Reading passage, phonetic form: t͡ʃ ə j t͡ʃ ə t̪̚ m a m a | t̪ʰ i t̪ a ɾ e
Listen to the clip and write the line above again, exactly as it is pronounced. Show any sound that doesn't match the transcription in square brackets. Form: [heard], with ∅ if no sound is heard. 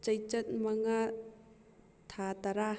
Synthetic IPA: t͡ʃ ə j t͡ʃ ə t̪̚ m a [ŋ] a | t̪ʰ [a] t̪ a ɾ [a]